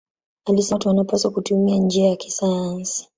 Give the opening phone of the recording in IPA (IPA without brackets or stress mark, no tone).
a